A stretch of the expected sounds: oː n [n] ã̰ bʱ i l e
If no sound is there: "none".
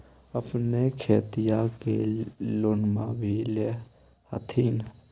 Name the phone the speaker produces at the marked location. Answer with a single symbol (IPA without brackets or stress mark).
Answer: m